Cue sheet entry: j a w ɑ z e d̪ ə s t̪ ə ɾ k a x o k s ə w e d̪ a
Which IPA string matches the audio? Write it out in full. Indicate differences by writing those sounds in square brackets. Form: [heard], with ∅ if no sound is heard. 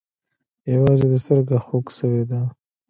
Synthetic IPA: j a w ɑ z e d̪ ə s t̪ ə ɾ [ɡ] a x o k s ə w e d̪ a